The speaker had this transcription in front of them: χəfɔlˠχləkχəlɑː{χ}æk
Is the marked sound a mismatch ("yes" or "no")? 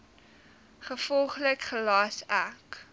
yes